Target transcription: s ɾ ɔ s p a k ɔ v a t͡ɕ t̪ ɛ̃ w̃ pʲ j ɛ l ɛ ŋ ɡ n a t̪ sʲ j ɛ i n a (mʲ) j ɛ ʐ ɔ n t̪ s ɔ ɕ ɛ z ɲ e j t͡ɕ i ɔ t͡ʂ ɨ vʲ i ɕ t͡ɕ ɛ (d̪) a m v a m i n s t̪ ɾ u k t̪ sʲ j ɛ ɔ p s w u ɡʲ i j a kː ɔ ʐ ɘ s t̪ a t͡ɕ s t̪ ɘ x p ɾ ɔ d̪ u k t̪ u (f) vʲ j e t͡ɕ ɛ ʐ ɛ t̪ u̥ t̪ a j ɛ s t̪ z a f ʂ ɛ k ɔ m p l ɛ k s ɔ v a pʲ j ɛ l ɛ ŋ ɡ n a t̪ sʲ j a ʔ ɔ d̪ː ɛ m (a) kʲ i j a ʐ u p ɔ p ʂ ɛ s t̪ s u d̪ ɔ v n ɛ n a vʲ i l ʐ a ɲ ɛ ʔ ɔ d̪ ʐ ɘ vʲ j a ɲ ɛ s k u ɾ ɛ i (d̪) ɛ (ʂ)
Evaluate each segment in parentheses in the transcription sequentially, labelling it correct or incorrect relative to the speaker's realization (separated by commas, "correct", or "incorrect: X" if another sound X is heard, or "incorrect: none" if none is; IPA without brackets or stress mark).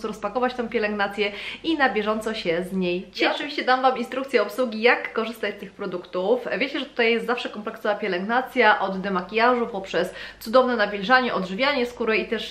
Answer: incorrect: bʲ, correct, correct, correct, incorrect: t̪, correct